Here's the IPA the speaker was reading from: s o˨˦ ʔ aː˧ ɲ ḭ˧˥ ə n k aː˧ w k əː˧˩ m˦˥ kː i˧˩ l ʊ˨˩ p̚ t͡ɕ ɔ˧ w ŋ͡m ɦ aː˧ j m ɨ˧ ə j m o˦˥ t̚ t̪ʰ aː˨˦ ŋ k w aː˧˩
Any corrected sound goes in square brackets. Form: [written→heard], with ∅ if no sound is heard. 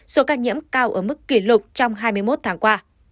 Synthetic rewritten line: s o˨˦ [ʔ→k] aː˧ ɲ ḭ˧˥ ə [n→m] k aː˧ w [k→ʔ] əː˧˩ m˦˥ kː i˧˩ l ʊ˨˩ [p̚→k͡p̚] t͡ɕ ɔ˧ w ŋ͡m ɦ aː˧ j m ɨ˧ ə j m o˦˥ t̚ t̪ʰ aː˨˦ ŋ k w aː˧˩